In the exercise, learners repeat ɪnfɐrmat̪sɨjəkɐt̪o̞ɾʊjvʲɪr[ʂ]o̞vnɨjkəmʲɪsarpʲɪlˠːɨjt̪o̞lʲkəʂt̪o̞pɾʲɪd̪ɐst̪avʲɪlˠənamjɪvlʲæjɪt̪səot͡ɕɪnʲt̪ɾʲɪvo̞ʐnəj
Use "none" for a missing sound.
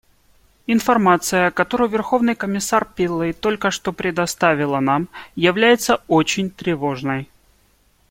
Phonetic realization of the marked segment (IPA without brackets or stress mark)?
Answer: x